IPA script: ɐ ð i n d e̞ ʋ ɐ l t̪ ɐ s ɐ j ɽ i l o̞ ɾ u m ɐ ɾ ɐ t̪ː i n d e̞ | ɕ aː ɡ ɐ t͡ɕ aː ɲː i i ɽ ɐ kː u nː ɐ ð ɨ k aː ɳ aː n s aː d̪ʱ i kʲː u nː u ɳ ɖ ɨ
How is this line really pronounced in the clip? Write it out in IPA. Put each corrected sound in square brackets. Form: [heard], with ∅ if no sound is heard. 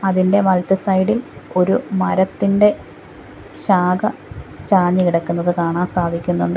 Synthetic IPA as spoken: ɐ ð i n d e̞ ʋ ɐ l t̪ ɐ s ɐ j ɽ i l o̞ ɾ u m ɐ ɾ ɐ t̪ː i n d e̞ | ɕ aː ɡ ɐ t͡ɕ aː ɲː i i ɽ ɐ kː u nː ɐ ð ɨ k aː ɳ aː n s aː d̪ʱ i kʲː u nː u ɳ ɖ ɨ